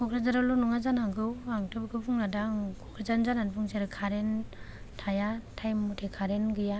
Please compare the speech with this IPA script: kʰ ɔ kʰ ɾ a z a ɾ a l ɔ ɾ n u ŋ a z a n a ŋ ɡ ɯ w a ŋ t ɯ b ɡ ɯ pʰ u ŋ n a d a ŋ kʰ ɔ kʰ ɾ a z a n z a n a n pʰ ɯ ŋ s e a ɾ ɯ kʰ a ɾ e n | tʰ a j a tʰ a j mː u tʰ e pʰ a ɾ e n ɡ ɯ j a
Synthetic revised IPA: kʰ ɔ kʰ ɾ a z a ɾ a l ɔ n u ŋ a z a n a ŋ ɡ ɯ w a ŋ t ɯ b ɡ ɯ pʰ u ŋ n a d a ŋ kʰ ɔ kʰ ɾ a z a n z a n a n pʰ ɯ ŋ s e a ɾ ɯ kʰ a ɾ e n | tʰ a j a tʰ a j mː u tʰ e kʰ a ɾ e n ɡ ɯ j a